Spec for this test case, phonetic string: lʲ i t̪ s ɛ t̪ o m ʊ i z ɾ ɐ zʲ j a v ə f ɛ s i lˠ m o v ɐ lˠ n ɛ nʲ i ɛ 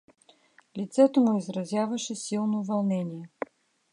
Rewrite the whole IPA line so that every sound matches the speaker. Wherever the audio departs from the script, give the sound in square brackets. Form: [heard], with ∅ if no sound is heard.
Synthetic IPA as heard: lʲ i t̪ s ɛ t̪ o m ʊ i z ɾ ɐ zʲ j a v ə [ʃ] ɛ s i lˠ [n] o v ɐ lˠ n ɛ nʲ i ɛ